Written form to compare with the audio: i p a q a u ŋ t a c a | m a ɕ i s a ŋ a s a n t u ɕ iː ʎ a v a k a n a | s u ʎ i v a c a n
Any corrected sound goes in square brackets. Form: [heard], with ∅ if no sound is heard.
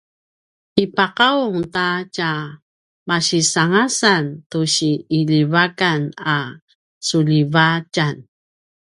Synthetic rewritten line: i p a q a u ŋ t a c a | m a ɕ i s a ŋ a s a n t u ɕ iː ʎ [i] v a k a n a | s u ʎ i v a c a n